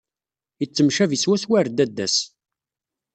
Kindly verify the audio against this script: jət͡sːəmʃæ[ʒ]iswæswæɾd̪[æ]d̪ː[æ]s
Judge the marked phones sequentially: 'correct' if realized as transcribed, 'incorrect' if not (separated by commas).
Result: incorrect, correct, correct